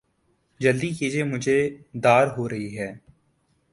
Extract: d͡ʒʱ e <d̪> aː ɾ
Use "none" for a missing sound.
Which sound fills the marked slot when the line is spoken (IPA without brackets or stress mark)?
d̪